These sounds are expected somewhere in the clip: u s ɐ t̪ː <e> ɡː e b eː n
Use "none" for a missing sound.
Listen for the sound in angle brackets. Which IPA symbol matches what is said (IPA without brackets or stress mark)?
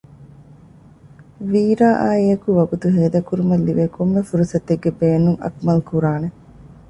e